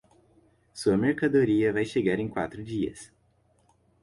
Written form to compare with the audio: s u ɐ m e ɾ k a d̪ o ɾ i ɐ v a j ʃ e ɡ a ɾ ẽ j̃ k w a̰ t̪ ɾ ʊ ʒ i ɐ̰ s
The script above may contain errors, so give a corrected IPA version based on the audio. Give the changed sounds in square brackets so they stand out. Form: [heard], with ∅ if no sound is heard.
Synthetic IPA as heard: s u ɐ m e ɾ k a d̪ o ɾ i ɐ v a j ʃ e ɡ a ɾ ẽ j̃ k w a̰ t̪ ɾ ʊ [d͡ʒ] i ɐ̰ s